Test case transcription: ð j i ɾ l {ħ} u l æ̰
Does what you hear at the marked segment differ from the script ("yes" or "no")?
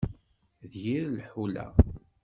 no